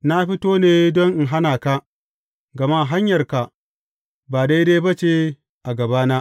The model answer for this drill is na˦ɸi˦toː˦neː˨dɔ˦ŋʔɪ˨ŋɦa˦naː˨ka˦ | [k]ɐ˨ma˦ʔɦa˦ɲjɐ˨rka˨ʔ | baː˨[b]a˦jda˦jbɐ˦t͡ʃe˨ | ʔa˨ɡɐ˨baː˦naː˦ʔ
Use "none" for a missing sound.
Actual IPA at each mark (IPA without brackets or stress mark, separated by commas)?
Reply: ɡ, d